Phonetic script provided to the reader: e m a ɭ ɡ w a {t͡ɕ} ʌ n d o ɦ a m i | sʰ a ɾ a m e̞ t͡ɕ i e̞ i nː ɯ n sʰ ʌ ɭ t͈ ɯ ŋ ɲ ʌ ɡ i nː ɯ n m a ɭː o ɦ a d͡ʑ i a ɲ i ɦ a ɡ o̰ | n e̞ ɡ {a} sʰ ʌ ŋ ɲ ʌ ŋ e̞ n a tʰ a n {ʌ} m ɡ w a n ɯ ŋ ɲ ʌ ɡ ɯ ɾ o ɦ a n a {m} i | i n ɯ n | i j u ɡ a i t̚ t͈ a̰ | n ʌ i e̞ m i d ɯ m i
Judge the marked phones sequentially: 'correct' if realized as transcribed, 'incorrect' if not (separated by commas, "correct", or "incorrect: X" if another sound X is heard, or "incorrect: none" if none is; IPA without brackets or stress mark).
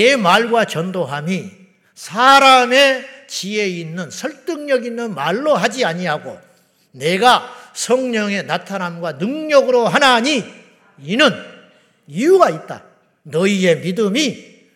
correct, correct, incorrect: a, incorrect: ɲ